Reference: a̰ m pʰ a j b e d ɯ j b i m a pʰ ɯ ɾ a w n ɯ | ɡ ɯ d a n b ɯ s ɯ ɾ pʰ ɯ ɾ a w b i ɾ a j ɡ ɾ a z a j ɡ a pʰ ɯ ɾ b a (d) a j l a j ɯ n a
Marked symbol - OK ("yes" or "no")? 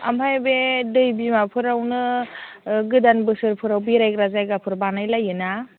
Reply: no